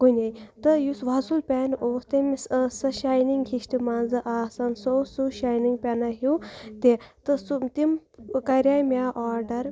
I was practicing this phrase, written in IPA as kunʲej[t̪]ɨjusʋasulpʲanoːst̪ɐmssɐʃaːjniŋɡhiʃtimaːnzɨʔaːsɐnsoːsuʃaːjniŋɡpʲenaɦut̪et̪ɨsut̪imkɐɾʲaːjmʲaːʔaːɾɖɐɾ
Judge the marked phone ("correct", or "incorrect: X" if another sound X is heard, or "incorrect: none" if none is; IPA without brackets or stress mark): correct